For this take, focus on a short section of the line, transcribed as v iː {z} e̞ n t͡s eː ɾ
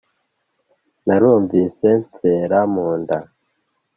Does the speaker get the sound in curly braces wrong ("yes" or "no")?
yes